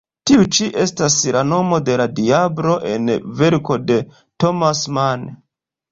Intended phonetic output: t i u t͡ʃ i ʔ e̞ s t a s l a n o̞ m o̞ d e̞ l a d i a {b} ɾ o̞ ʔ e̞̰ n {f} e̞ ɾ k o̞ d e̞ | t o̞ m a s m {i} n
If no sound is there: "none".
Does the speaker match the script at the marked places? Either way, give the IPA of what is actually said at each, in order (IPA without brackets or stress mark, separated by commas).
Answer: b, v, a